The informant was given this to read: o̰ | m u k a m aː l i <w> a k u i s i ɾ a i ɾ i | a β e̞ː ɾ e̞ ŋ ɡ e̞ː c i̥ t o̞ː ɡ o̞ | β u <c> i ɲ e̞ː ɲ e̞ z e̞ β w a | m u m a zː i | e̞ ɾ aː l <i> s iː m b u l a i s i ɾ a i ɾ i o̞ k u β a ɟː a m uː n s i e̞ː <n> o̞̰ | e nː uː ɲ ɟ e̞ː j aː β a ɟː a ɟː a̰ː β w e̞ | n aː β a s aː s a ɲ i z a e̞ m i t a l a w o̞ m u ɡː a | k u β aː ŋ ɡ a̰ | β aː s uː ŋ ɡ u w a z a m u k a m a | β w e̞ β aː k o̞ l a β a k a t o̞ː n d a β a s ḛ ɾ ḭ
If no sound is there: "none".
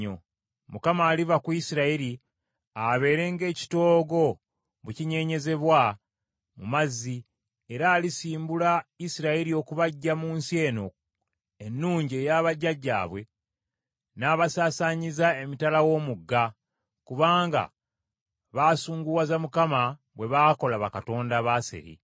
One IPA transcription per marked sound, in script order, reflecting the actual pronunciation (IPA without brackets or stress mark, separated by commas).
v, c, i, n